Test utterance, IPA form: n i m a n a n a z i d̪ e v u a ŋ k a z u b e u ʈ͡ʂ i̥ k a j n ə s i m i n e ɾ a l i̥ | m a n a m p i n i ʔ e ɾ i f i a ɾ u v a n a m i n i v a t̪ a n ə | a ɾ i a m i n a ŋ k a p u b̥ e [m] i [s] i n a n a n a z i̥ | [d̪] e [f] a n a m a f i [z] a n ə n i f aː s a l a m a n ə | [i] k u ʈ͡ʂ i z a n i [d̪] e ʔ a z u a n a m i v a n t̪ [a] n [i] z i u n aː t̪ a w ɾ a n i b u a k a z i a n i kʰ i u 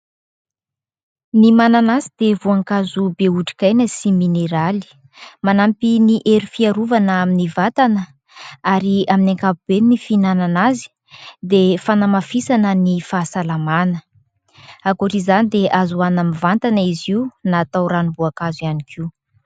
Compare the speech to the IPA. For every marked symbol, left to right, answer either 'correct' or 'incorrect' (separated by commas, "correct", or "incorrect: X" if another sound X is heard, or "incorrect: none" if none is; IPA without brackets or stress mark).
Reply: incorrect: n, incorrect: f, correct, correct, incorrect: s, incorrect: a, correct, correct, correct